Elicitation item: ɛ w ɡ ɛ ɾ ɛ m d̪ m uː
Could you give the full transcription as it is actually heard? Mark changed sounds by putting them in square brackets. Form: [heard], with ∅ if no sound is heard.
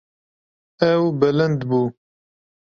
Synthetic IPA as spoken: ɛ w [b] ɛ [l] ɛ [n] d̪ [b] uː